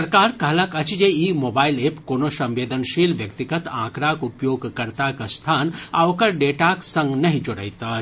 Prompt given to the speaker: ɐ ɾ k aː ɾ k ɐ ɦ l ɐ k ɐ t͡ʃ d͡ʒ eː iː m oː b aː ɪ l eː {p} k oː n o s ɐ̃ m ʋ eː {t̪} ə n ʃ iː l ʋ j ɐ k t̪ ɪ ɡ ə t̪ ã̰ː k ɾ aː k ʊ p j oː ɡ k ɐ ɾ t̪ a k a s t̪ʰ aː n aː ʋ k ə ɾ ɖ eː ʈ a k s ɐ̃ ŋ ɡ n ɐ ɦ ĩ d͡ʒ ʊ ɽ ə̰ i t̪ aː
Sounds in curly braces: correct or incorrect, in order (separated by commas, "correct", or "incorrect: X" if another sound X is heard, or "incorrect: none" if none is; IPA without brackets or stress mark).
correct, incorrect: d̪